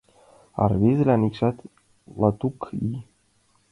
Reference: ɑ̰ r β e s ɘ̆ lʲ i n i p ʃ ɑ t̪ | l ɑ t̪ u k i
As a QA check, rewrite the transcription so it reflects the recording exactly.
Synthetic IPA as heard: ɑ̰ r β e z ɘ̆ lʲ æ n i k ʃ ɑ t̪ | l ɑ t̪ u k i